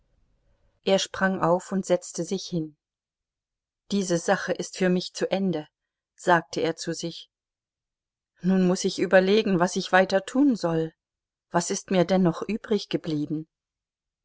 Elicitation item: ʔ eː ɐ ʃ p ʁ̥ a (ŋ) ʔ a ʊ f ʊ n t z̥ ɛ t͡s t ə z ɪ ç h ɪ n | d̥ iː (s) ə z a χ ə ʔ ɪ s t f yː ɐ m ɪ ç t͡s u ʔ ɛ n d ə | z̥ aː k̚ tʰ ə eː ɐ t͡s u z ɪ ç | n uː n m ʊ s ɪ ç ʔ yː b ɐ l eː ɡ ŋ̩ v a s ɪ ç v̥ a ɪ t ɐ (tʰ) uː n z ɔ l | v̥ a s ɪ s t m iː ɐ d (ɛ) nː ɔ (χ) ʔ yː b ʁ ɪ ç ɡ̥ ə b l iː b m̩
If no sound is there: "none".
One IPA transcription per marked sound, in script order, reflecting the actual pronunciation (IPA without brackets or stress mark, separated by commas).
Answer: ŋ, z, tʰ, ɛ, χ